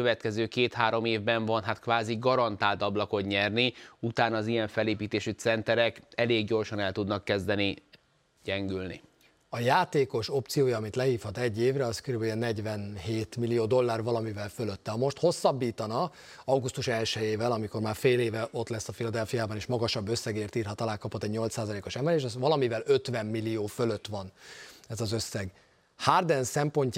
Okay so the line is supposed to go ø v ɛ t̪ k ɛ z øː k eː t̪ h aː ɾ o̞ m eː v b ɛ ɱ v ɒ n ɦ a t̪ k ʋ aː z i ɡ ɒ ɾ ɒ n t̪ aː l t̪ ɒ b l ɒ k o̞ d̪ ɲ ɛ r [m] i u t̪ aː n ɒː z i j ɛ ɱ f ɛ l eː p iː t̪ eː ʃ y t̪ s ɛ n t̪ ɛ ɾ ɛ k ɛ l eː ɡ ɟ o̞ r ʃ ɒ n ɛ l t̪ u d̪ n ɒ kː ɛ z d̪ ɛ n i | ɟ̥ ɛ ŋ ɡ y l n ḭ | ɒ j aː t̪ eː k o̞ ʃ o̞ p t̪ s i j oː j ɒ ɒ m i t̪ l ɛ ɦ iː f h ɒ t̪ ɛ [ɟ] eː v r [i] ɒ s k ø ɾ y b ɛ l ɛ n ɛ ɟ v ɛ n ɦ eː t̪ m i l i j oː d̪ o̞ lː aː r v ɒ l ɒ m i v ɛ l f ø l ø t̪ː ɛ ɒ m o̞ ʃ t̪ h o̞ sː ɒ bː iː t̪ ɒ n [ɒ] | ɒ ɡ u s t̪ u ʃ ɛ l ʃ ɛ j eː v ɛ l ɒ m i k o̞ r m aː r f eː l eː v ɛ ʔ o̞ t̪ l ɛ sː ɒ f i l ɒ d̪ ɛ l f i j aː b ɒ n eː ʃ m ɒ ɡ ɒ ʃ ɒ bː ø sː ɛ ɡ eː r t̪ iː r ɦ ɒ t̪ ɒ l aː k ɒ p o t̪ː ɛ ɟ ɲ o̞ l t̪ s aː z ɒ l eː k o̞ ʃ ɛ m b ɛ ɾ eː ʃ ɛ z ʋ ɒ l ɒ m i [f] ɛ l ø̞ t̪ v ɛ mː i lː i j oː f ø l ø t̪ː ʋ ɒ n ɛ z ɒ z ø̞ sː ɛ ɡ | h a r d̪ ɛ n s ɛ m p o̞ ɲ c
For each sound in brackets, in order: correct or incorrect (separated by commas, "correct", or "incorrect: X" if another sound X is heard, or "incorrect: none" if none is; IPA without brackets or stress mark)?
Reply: incorrect: n, incorrect: ɟː, incorrect: ɛ, correct, incorrect: v